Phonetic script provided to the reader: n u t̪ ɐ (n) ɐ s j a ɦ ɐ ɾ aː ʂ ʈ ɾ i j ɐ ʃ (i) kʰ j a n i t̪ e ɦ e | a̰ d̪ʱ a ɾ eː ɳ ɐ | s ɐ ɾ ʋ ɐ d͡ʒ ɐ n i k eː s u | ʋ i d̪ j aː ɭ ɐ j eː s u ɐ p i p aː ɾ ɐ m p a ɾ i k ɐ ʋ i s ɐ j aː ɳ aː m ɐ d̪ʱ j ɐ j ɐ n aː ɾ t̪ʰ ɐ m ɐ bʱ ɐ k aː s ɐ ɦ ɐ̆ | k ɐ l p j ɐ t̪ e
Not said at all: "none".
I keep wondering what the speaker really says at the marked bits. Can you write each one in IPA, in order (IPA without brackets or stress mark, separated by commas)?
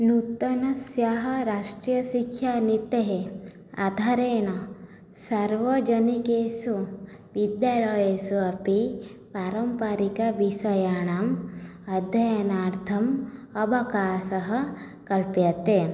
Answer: n, i